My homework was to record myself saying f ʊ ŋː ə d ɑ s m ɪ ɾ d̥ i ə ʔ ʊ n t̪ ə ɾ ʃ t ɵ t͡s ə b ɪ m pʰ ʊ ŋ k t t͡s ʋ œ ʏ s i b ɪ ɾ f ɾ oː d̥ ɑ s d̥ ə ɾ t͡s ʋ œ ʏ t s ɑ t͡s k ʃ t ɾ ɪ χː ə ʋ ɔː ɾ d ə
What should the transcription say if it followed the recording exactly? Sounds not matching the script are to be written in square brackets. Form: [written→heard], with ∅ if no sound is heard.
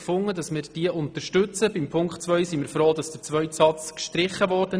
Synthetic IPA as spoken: f ʊ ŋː ə d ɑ s m ɪ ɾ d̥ i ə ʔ ʊ n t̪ ə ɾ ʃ t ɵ t͡s ə b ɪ m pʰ ʊ ŋ k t t͡s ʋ œ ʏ s i [b→m] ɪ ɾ f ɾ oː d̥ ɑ s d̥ ə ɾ t͡s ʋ œ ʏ t s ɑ t͡s k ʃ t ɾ ɪ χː ə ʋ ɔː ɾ d ə